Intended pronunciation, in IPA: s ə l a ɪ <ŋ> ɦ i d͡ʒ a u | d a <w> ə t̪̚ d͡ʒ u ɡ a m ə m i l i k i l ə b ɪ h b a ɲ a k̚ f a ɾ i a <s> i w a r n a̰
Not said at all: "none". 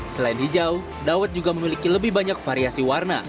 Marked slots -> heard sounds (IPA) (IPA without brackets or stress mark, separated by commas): n, w, s